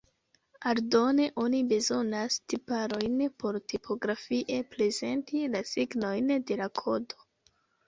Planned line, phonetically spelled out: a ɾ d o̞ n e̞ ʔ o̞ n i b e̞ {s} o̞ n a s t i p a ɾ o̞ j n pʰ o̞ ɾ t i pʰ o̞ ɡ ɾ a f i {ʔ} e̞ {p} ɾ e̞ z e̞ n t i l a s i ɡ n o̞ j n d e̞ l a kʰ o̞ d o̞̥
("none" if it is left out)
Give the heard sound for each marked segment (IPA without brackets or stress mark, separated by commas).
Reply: z, ʔ, p